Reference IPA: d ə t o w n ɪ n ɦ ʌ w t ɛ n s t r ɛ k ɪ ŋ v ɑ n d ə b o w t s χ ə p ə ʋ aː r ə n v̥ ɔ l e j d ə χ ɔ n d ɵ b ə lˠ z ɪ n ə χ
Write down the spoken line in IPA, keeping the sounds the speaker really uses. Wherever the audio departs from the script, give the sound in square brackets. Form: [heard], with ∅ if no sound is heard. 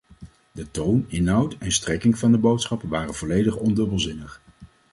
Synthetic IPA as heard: d ə t o w n ɪ n ɦ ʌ w t ɛ n s t r ɛ k ɪ ŋ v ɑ n d ə b o w t s χ [ɑ] p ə ʋ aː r ə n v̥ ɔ l e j d ə χ ɔ n d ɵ b ə lˠ z ɪ n ə χ